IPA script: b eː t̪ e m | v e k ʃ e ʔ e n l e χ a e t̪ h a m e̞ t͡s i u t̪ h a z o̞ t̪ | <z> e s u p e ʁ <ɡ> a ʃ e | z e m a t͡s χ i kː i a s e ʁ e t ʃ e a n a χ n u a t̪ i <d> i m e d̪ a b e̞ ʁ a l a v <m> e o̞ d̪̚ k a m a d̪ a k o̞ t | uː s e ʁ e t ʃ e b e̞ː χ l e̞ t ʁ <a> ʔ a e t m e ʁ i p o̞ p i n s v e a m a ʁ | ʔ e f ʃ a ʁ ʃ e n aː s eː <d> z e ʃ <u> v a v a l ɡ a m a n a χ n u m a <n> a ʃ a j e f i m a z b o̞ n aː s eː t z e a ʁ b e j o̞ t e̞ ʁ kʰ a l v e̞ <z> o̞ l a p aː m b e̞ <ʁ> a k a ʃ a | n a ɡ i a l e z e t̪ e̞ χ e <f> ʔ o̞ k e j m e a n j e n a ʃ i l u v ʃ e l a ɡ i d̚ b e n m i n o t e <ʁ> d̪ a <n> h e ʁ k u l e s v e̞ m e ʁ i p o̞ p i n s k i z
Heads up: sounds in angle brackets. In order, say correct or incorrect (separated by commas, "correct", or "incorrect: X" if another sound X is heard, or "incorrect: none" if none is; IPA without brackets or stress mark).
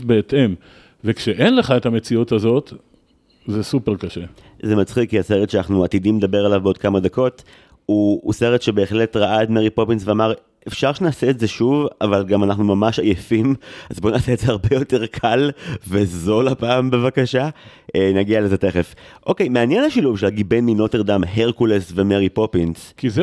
correct, incorrect: k, correct, incorrect: b, correct, incorrect: t, correct, incorrect: m, correct, incorrect: v, correct, correct, incorrect: m